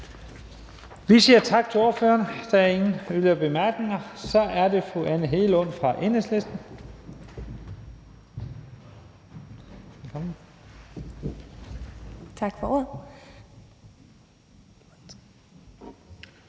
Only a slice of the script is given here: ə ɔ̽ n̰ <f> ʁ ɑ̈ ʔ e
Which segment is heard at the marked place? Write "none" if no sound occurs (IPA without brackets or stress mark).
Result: f